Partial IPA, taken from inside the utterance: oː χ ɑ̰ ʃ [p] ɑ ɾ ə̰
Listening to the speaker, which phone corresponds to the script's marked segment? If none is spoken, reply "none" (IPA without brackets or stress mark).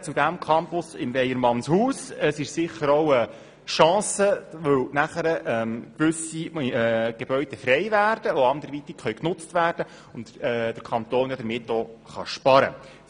p